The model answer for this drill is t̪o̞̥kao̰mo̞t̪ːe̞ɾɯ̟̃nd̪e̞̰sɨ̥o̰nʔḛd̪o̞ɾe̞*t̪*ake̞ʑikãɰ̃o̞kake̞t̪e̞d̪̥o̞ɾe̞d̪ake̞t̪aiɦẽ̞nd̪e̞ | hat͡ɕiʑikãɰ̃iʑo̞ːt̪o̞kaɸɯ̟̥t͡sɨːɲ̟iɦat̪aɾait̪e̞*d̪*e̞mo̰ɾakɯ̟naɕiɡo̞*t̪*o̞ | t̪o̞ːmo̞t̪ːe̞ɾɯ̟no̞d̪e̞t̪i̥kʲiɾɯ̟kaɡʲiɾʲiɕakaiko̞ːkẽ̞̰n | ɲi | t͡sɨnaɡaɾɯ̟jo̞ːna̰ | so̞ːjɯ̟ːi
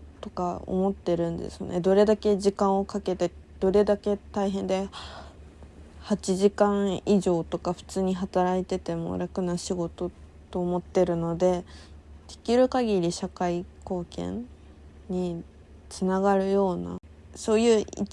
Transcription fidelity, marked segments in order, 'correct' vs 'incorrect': incorrect, incorrect, correct

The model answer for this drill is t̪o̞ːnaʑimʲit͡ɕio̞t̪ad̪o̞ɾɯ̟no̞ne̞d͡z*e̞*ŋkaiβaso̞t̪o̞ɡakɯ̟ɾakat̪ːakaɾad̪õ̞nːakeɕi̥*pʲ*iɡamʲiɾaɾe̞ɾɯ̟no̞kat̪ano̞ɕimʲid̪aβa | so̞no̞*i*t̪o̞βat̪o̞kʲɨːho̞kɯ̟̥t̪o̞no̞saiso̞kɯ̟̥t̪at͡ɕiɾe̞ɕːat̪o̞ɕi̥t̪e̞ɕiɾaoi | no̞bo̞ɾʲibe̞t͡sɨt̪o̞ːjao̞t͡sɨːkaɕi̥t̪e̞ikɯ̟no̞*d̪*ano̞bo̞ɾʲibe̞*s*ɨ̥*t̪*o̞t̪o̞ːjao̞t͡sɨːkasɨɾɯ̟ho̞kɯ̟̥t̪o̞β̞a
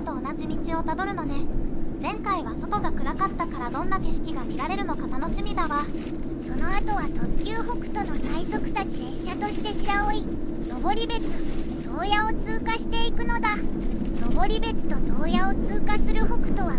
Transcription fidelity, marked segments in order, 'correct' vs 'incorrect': incorrect, incorrect, incorrect, correct, incorrect, correct

